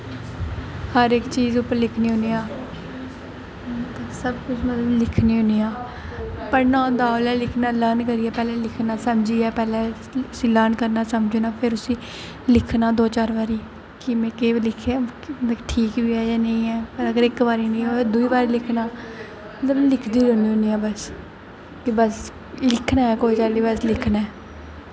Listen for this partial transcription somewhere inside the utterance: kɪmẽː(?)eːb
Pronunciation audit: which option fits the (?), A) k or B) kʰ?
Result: A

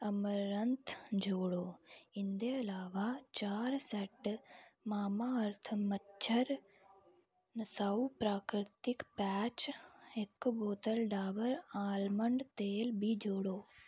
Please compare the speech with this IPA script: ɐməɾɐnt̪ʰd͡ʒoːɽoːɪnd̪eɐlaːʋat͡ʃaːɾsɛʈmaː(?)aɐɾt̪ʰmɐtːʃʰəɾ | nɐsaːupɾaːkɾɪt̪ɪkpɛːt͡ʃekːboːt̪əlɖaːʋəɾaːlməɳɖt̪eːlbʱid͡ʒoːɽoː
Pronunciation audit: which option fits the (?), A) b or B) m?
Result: B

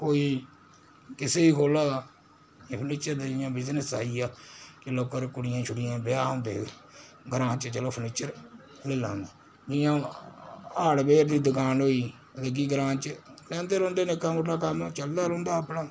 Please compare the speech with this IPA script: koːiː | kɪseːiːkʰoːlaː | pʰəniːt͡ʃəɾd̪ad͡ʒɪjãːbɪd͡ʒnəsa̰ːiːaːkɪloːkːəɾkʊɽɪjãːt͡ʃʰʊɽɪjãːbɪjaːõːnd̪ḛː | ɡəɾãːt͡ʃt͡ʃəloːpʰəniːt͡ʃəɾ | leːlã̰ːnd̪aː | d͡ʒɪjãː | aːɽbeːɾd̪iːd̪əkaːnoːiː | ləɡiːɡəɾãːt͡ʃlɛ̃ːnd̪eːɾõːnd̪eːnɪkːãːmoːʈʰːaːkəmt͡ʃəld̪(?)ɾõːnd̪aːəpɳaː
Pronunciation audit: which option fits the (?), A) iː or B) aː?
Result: B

